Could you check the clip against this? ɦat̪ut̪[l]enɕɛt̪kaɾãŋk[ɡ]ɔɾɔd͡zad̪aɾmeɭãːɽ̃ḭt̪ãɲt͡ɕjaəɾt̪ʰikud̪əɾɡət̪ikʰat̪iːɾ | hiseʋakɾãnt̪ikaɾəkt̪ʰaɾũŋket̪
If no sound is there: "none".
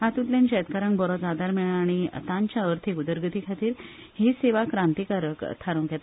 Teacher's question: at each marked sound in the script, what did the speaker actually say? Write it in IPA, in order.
l, b

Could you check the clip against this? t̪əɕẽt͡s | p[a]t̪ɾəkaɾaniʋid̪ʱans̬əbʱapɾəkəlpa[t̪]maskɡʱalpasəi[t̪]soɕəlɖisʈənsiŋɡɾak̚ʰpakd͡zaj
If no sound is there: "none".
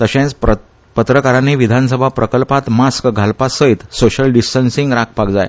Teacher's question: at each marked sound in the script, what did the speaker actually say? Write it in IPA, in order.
ə, t̪, t̪

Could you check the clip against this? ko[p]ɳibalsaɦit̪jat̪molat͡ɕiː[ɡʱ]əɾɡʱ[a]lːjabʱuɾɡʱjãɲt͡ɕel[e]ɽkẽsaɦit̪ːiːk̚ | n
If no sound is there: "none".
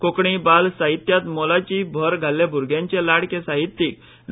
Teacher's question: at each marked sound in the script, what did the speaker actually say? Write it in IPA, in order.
k, bʱ, a, a

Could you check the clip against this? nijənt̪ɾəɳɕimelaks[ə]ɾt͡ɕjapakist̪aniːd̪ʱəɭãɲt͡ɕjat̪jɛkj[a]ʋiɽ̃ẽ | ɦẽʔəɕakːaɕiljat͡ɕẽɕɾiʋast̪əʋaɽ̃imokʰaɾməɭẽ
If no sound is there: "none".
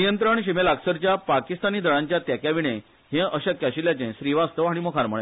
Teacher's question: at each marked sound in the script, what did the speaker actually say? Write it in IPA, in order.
ə, a

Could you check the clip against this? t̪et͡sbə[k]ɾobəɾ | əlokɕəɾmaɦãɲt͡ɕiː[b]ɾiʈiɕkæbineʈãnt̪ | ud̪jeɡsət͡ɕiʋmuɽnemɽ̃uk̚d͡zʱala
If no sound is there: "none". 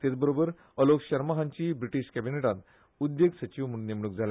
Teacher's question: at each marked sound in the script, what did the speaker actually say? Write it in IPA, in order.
none, b

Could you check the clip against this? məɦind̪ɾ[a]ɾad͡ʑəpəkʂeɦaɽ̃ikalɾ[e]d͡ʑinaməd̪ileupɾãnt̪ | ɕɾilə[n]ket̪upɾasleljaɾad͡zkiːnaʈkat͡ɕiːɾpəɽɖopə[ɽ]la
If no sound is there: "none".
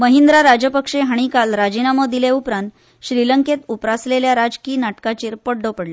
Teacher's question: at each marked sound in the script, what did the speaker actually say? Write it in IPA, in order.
a, a, ŋ, ɽ

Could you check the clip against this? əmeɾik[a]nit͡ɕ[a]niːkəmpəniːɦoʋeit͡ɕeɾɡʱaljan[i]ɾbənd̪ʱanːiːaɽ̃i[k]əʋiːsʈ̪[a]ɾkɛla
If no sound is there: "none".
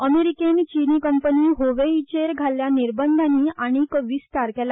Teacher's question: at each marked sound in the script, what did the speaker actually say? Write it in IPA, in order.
e, i, i, k, a

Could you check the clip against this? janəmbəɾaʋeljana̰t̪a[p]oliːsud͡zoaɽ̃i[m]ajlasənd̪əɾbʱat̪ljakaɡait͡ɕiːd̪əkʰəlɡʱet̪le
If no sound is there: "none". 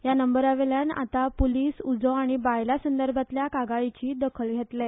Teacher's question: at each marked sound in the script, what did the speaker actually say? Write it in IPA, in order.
p, b

